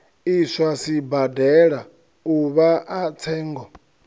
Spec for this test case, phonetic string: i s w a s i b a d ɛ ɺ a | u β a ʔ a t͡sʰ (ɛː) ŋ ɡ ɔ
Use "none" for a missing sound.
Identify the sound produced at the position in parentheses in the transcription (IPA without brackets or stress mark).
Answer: ɛː